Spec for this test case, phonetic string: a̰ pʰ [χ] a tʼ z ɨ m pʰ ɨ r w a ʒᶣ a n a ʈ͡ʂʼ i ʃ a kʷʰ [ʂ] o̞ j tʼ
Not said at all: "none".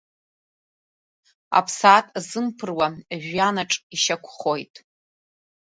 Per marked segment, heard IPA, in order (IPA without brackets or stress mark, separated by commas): s, χ